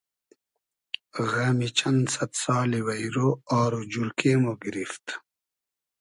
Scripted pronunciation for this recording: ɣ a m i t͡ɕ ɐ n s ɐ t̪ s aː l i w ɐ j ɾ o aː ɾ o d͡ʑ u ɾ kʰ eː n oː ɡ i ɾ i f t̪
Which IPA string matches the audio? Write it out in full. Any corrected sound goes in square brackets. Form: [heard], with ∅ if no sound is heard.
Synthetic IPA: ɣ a m i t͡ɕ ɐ n s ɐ t̪ s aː l i w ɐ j ɾ o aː ɾ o d͡ʑ u ɾ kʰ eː [m] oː ɡ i ɾ i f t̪